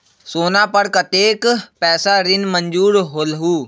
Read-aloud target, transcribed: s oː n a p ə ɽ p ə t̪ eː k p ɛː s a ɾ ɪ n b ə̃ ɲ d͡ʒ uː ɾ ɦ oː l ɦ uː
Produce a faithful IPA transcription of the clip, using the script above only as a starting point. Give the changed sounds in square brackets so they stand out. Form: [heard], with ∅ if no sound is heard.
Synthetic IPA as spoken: s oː n a p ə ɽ [k] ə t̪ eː k p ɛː s a ɾ ɪ n [m] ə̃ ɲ d͡ʒ uː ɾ ɦ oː l ɦ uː